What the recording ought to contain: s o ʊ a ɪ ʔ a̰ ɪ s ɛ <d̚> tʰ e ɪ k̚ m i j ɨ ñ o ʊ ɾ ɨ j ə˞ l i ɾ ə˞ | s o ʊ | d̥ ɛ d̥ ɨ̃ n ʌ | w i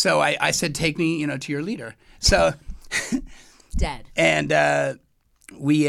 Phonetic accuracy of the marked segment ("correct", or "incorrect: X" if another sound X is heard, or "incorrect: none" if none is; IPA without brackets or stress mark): correct